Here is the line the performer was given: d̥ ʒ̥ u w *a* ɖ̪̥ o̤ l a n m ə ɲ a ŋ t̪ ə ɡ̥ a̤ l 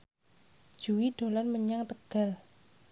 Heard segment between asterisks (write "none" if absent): i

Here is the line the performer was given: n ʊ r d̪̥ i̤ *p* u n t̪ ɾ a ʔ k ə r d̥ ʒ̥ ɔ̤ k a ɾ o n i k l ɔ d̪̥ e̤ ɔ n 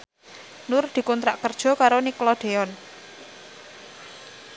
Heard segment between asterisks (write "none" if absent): k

